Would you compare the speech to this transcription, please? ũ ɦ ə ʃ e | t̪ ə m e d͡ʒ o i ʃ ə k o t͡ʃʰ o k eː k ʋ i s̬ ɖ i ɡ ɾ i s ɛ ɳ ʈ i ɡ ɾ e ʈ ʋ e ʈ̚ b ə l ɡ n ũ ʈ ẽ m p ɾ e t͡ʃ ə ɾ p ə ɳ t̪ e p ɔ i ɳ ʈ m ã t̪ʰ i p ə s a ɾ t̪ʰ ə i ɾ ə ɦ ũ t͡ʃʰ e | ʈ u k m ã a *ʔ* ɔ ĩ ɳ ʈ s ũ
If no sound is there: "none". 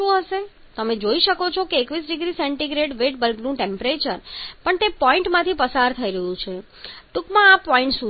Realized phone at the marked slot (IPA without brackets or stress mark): p